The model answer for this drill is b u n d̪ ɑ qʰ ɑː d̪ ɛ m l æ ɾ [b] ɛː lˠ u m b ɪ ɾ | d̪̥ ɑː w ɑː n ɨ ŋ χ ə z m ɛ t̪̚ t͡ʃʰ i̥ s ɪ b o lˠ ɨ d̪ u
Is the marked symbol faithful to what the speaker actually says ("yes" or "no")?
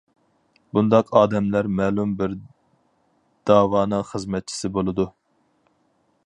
no